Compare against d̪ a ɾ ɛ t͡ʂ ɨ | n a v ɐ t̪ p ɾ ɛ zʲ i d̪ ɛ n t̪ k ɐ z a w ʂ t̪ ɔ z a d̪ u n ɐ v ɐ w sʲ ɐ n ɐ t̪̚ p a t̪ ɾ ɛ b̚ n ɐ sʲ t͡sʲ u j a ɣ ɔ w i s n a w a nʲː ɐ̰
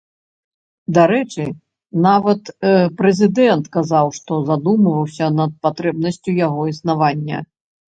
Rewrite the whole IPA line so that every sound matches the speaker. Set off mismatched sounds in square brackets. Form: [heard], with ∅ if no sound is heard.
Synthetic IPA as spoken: d̪ a ɾ ɛ t͡ʂ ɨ | n a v ɐ t̪ p ɾ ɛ zʲ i d̪ ɛ n t̪ k [a] z a w ʂ t̪ ɔ z a d̪ u [m] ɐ v ɐ w sʲ ɐ n ɐ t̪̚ p a t̪ ɾ ɛ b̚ n ɐ sʲ t͡sʲ u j a ɣ ɔ [∅] i s n a [v] a nʲː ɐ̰